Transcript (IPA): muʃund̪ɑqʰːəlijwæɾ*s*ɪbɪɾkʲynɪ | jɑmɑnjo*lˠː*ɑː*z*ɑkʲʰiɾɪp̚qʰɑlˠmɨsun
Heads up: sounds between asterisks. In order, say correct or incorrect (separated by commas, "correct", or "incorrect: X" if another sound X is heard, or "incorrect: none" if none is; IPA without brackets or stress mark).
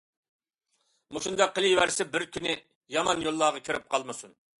correct, correct, incorrect: ʁ